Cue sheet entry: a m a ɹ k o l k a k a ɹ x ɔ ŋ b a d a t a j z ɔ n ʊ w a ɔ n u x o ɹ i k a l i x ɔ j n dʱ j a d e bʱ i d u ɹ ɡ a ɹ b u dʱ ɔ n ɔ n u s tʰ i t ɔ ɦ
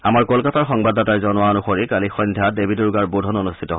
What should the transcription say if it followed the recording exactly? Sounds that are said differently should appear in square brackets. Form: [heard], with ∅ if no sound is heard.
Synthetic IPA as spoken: a m a ɹ k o l k a [t] a ɹ x ɔ ŋ b a d a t a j z ɔ n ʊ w a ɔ n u x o ɹ i k a l i x ɔ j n dʱ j a d e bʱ i d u ɹ ɡ a ɹ b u dʱ ɔ n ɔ n u s tʰ i t ɔ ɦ